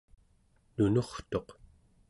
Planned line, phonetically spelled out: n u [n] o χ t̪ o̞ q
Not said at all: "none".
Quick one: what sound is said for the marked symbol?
n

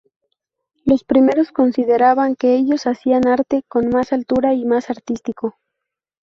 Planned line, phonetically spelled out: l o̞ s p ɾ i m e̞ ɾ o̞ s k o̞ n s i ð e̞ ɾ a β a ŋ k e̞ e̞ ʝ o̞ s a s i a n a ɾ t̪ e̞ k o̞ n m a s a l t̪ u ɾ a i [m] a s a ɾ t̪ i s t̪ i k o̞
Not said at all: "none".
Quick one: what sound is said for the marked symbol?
m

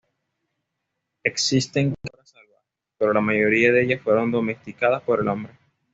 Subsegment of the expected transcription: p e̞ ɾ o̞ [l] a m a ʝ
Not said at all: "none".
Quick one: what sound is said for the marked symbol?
l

